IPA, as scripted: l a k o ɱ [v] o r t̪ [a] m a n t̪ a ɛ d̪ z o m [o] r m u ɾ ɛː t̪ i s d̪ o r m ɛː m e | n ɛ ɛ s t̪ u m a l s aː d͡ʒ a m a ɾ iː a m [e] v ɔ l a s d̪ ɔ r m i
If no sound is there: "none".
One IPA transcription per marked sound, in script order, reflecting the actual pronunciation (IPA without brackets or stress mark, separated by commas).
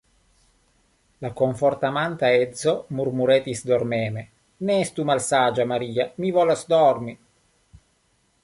f, a, u, i